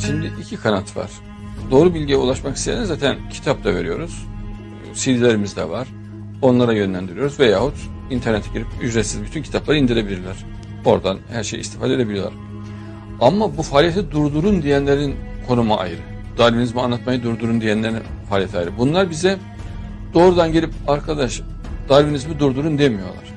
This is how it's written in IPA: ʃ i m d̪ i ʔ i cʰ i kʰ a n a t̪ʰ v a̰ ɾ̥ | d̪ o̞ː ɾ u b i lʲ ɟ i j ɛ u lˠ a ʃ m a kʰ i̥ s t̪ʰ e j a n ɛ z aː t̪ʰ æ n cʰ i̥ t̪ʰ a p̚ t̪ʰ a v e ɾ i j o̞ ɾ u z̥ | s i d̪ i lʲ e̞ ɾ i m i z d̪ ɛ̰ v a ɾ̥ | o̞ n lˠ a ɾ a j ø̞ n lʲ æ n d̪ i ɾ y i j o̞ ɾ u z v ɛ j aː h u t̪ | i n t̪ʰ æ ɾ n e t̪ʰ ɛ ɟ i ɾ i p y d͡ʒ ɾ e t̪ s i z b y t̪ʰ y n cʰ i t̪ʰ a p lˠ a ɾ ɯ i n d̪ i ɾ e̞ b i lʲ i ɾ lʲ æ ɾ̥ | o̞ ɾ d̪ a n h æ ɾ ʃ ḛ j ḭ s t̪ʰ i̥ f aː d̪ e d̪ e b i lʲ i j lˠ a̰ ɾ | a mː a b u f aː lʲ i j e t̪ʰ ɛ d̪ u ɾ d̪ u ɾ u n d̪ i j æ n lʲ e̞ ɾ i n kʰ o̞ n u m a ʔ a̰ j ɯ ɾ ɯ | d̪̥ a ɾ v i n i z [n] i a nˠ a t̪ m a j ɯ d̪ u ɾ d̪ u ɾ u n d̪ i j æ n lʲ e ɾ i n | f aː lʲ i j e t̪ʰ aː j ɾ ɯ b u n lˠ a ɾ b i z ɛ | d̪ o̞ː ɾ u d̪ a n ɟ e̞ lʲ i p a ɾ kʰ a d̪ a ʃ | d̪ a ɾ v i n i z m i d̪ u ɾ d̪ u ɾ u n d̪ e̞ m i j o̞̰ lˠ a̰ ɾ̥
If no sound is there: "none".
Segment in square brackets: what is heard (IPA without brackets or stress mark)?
m